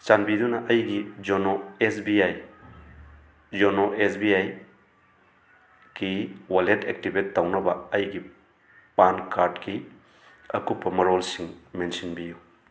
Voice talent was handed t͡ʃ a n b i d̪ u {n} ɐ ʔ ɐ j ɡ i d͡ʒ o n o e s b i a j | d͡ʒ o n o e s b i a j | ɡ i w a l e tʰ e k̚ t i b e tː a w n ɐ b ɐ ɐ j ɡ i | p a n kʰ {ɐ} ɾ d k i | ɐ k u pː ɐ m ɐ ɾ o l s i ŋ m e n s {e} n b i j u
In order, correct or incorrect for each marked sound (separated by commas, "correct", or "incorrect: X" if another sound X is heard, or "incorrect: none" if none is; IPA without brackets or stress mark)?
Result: correct, incorrect: a, incorrect: i